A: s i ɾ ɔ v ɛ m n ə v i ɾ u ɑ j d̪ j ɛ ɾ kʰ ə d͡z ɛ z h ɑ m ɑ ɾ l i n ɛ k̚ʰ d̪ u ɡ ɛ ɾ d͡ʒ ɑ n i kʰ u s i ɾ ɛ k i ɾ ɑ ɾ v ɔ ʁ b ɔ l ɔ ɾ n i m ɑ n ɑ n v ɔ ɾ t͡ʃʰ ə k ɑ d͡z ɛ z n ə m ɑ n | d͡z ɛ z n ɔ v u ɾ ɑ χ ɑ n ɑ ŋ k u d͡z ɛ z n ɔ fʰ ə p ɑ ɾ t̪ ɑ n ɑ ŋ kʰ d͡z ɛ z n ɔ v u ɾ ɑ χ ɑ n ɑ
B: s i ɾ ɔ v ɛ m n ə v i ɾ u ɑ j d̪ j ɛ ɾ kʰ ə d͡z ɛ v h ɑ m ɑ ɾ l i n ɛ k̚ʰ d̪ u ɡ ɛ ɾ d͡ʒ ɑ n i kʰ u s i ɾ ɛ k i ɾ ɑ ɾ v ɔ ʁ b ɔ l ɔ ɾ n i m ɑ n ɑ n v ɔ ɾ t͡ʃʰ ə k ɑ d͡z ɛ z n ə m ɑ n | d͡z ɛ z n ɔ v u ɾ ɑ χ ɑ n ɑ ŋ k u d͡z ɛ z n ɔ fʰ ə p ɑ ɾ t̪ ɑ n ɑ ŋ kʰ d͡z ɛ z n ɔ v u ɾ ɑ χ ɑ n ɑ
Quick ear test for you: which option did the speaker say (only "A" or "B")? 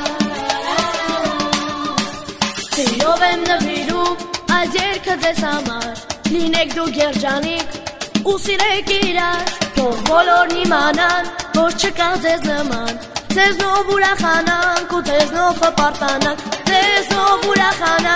A